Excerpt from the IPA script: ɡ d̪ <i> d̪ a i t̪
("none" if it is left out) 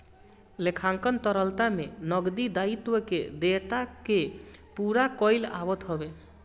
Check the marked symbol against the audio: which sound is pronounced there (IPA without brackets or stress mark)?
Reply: i